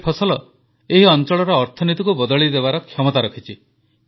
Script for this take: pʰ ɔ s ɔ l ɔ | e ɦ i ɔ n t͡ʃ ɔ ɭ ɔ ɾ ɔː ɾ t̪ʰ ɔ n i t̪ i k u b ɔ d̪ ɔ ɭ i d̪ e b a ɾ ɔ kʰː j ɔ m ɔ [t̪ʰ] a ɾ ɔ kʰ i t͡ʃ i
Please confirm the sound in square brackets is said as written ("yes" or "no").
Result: no